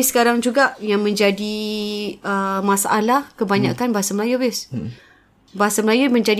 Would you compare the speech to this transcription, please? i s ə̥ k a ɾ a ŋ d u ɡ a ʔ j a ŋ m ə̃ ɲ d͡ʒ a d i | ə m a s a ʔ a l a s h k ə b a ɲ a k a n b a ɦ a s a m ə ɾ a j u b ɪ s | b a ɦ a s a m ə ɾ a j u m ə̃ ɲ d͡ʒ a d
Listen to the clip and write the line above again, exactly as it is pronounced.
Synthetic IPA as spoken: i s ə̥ k a ɾ a ŋ d͡ʒ u ɡ a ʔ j a ŋ m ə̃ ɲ d͡ʒ a d i | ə m a s a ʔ a l a h k ə b a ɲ a k a n b a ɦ a s a m ə l a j u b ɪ s | b a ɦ a s a m ə l a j u m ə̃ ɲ d͡ʒ a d